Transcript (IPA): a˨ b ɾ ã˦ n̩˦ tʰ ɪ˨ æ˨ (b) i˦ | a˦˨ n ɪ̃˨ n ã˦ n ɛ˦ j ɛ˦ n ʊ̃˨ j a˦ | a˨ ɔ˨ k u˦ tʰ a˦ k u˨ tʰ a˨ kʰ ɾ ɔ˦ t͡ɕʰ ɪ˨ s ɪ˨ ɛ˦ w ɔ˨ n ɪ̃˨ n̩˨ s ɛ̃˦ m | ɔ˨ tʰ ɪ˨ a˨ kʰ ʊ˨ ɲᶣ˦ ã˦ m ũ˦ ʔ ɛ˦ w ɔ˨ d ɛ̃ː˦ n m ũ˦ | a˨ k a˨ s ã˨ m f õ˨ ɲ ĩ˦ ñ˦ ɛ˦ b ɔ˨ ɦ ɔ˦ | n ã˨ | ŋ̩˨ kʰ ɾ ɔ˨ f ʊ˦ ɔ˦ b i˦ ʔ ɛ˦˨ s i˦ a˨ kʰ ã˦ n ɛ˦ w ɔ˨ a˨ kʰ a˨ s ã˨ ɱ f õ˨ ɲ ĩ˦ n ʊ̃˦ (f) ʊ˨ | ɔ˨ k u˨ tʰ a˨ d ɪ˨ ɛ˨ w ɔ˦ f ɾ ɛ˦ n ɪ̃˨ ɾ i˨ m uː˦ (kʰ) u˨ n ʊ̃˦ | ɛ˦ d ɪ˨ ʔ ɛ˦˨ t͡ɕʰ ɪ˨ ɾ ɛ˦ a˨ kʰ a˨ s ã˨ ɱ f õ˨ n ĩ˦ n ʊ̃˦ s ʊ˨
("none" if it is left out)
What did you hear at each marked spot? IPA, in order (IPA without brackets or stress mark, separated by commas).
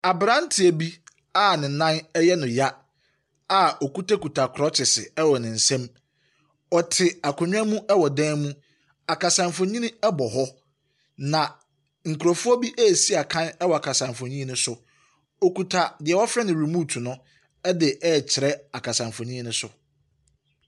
b, s, tʰ